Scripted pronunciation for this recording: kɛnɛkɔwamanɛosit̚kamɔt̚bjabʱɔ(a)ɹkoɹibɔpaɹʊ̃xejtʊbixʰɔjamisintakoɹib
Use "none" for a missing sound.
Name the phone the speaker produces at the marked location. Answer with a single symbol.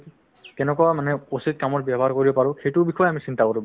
a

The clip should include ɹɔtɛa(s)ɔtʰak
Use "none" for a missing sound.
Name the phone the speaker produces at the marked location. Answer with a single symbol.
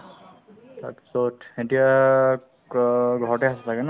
s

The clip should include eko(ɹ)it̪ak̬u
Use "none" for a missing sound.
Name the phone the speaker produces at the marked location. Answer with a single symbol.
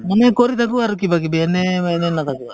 ɾ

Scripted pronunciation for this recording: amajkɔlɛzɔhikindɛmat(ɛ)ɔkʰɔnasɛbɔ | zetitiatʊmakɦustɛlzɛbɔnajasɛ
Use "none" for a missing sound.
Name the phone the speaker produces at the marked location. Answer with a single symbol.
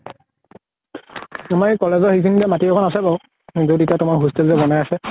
i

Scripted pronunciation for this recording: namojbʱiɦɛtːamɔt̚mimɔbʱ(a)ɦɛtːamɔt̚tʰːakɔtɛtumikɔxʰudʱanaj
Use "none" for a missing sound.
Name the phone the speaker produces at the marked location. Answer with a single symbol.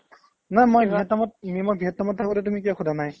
i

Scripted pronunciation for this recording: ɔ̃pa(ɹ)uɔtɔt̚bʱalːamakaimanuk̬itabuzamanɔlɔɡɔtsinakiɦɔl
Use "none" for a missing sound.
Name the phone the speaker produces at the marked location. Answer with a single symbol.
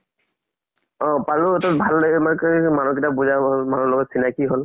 l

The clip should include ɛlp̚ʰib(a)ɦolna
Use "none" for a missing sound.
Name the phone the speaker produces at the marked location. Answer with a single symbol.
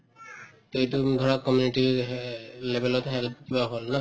a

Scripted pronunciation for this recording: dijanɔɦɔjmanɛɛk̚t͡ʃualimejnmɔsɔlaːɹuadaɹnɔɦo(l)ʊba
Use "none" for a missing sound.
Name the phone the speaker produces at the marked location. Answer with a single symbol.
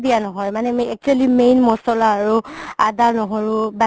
ɹ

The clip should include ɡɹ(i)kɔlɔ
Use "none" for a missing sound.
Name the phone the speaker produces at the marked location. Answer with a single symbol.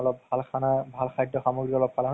i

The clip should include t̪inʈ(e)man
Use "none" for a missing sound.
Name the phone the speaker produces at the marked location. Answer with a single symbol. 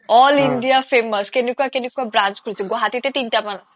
a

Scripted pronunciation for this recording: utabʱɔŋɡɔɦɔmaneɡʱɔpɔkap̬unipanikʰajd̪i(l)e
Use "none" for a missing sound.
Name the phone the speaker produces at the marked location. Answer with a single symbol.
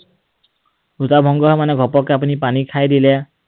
l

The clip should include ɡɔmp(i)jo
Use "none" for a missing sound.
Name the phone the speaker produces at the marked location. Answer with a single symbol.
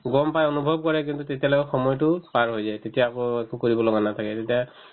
a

